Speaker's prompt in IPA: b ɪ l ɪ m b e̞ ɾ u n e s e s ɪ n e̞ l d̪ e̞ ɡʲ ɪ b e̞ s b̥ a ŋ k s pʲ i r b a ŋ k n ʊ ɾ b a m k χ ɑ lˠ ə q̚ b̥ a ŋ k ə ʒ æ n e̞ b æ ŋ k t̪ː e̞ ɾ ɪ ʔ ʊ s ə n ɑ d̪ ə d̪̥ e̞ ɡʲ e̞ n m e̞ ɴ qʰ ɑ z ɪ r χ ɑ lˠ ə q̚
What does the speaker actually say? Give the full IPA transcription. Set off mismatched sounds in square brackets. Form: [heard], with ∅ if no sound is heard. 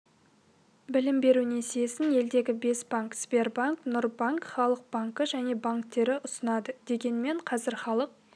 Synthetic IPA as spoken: b ɪ l ɪ m b e̞ ɾ u n e s e s ɪ n e̞ l d̪ e̞ ɡʲ ɪ b e̞ s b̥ a ŋ k s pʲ [e] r b a ŋ k n ʊ ɾ b a [ŋ] k χ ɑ lˠ ə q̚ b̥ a ŋ k ə ʒ æ n e̞ b [a] ŋ k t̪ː e̞ ɾ ɪ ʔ ʊ s ə n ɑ d̪ ə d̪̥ e̞ ɡʲ e̞ n m e̞ ɴ qʰ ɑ z ɪ [ɾ] χ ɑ lˠ ə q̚

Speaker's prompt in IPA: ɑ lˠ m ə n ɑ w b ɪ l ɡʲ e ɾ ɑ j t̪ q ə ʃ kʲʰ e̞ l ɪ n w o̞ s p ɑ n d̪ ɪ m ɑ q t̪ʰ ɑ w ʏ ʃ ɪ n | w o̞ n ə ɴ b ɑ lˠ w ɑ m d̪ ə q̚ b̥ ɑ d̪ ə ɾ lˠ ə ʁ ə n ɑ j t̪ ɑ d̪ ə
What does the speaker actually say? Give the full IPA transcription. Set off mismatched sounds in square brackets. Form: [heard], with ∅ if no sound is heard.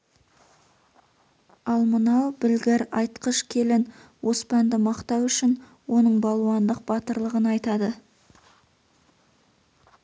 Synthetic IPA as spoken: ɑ lˠ m ə n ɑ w b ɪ l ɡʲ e ɾ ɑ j t̪ q ə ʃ kʲʰ e̞ l ɪ n w o̞ s p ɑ n d̪ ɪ m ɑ q [t̪] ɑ w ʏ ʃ ɪ n | w o̞ n ə ɴ b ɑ lˠ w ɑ [n] d̪ ə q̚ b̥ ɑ [t̪] ə ɾ lˠ ə ʁ ə n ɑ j t̪ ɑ d̪ ə

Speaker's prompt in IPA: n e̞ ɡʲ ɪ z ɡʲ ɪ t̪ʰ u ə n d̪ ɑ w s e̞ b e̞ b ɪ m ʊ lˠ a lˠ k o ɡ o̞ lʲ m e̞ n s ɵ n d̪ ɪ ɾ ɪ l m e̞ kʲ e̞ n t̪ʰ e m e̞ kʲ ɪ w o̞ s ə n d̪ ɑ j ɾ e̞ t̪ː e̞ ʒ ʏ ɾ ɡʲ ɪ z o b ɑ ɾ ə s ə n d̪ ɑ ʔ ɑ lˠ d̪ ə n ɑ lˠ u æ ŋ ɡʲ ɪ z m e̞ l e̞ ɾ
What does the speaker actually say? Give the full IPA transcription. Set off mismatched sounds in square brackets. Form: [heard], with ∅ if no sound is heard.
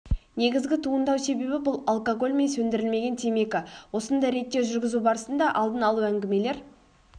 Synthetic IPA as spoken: n e̞ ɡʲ ɪ z ɡʲ ɪ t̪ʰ u ə n d̪ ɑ w s e̞ b e̞ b ɪ [b] ʊ lˠ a lˠ k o ɡ o̞ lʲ m e̞ n s ɵ n d̪ ɪ ɾ ɪ l m e̞ [ɡʲ] e̞ n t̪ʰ e m e̞ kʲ ɪ w o̞ s ə n d̪ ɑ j ɾ e̞ t̪ː e̞ ʒ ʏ ɾ ɡʲ ɪ z [u] b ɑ ɾ ə s ə n d̪ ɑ ʔ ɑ lˠ d̪ ə n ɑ lˠ u æ ŋ ɡʲ ɪ [∅] m e̞ l e̞ ɾ

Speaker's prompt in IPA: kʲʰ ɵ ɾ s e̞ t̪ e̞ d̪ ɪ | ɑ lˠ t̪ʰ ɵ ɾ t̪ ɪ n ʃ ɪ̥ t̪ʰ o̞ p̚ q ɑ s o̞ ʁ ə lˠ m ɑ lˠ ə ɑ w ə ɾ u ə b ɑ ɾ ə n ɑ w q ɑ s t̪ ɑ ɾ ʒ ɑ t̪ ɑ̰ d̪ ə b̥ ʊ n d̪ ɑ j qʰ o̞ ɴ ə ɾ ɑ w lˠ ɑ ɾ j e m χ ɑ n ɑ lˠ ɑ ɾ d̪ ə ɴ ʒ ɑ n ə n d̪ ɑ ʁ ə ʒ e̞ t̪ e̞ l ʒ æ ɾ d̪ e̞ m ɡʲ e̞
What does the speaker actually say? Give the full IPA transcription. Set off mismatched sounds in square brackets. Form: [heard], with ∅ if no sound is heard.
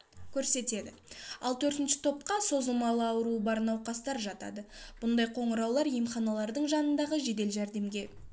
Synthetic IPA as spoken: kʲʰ ɵ ɾ s e̞ t̪ e̞ d̪ ɪ | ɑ lˠ t̪ʰ ɵ ɾ t̪ ɪ n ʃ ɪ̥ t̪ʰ o̞ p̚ q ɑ s o̞ [z] ə lˠ m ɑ lˠ ə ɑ w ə ɾ u ə b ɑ ɾ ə n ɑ w q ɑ s t̪ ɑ ɾ ʒ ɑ t̪ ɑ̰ d̪ ə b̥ ʊ n d̪ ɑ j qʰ o̞ ɴ ə ɾ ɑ w lˠ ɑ ɾ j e m χ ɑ n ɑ lˠ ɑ ɾ d̪ ə ɴ ʒ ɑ n ə n d̪ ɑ ʁ ə ʒ e̞ [d̪] e̞ l ʒ æ ɾ d̪ e̞ m ɡʲ e̞

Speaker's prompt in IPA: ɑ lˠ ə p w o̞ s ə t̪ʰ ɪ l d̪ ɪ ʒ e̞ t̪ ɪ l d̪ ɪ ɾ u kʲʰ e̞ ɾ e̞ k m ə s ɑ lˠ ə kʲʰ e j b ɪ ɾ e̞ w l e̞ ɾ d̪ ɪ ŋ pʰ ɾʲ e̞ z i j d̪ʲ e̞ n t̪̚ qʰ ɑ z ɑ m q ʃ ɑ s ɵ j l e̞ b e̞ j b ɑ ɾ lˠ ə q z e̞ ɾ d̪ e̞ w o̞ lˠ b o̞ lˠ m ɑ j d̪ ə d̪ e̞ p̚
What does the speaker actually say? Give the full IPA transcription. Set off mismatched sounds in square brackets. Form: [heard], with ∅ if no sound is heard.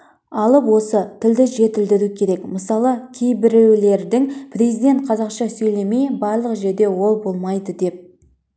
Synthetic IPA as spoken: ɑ lˠ ə p w o̞ s ə t̪ʰ ɪ l d̪ ɪ ʒ e̞ t̪ ɪ l d̪ ɪ ɾ u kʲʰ e̞ ɾ e̞ k m ə s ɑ lˠ ə kʲʰ e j b ɪ ɾ e̞ w l e̞ ɾ d̪ ɪ ŋ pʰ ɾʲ e̞ z i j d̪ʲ e̞ n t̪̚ qʰ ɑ z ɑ [∅] q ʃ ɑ s ɵ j l e̞ [m] e̞ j b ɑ ɾ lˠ ə q [ʒ] e̞ ɾ d̪ e̞ w o̞ lˠ b o̞ lˠ m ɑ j d̪ ə d̪ e̞ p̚

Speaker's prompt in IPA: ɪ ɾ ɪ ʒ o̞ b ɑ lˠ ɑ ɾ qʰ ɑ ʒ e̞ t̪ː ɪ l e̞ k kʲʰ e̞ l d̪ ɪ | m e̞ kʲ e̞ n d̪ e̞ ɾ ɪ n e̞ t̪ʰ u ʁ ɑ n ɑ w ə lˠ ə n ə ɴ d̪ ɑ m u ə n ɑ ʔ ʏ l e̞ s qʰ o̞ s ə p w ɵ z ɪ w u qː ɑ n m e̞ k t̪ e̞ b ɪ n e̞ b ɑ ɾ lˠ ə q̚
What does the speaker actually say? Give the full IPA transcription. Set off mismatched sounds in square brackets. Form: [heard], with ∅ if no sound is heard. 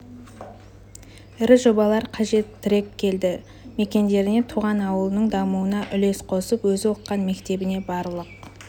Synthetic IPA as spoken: ɪ ɾ ɪ ʒ o̞ b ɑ lˠ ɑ ɾ qʰ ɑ ʒ e̞ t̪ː ɪ [ɾ] e̞ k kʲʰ e̞ l d̪ ɪ | m e̞ kʲ e̞ n d̪ e̞ ɾ ɪ n e̞ t̪ʰ u ʁ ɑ n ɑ w ə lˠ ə n ə ɴ d̪ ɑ m u ə n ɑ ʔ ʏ l e̞ s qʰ o̞ s ə p w ɵ z ɪ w [o] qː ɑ n m e̞ k t̪ e̞ b ɪ n e̞ b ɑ ɾ lˠ ə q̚

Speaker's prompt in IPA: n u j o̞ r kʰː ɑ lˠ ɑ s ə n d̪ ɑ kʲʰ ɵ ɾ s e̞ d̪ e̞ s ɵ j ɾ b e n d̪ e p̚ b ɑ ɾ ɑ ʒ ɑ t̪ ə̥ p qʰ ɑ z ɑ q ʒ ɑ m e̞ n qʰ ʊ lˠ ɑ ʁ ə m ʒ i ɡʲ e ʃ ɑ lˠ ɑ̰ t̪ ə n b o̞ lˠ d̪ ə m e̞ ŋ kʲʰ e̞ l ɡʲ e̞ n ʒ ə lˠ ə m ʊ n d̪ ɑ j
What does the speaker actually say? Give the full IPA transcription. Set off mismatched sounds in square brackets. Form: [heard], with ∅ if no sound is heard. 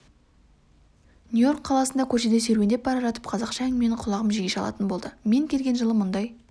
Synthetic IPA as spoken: n u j o̞ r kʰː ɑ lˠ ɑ s ə n d̪ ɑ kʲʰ ɵ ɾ [ʃ] e̞ d̪ e̞ s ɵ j ɾ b e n d̪ e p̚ b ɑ ɾ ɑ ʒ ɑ t̪ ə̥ p qʰ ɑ z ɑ q [ʃ] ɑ m e̞ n qʰ ʊ lˠ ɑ ʁ ə m ʒ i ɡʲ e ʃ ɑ lˠ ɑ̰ t̪ ə n b o̞ lˠ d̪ ə m e̞ ŋ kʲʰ e̞ l ɡʲ e̞ n ʒ ə lˠ ə m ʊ n d̪ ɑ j

